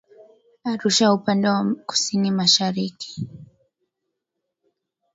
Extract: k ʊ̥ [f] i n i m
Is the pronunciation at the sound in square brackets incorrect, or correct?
incorrect